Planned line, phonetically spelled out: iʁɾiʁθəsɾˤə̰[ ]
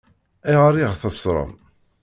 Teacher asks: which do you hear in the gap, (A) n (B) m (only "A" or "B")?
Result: B